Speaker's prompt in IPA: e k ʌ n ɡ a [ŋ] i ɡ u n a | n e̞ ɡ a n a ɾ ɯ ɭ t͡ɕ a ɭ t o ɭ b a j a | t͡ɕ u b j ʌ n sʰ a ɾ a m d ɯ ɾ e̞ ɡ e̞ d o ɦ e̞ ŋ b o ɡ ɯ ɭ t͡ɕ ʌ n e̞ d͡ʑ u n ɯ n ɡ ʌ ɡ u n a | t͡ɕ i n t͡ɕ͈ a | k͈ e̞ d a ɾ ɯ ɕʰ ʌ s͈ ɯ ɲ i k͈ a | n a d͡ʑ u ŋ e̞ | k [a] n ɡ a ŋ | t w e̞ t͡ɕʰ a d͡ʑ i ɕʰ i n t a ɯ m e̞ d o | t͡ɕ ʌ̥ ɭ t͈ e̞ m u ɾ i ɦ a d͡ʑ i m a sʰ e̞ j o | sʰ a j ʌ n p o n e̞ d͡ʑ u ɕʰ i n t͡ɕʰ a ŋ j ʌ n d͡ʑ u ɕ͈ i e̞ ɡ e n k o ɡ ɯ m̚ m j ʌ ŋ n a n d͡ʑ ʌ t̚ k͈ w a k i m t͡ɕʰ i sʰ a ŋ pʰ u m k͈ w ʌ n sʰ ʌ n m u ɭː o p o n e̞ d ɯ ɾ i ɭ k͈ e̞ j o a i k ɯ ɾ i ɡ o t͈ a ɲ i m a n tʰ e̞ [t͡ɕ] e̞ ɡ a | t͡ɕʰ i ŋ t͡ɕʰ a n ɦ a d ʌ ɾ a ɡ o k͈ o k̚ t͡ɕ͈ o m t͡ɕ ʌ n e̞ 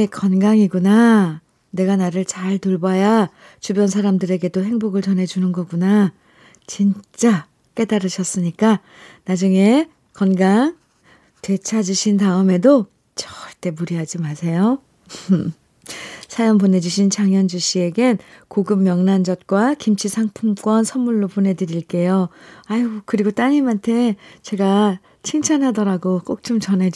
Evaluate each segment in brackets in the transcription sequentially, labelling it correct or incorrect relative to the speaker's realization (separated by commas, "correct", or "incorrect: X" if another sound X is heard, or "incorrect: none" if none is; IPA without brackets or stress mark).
correct, incorrect: ʌ, correct